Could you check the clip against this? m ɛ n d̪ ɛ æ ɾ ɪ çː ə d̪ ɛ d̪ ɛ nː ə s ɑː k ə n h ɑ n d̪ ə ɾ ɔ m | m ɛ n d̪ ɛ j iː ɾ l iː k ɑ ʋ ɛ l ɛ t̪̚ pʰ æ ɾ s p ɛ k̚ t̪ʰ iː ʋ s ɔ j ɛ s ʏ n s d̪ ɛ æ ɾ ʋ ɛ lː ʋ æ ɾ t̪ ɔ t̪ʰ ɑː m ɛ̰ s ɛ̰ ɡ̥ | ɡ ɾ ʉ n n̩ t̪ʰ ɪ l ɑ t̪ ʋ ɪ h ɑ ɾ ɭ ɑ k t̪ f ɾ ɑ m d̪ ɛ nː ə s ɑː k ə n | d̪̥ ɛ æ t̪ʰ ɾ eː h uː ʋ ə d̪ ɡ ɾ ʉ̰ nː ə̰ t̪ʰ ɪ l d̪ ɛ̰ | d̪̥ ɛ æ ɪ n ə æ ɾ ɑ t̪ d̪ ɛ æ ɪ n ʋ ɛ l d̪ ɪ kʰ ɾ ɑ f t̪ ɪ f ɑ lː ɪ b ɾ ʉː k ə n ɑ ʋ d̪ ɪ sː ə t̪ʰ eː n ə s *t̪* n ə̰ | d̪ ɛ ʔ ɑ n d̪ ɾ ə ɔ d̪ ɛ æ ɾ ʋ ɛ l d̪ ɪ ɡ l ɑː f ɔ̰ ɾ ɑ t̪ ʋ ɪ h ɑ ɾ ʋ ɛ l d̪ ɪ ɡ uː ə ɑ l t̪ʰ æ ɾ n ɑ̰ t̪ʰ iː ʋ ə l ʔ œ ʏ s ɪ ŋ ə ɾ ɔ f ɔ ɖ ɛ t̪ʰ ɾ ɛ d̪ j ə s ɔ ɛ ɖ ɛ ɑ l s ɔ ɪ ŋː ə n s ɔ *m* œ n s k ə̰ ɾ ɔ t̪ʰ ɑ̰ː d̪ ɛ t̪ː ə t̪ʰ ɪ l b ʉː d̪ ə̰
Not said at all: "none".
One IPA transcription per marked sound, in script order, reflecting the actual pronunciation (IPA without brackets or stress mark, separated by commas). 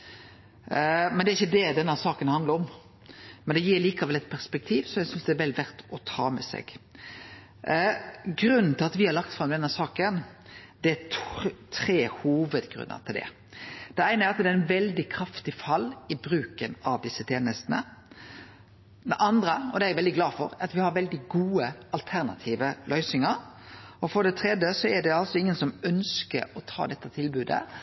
t̪, m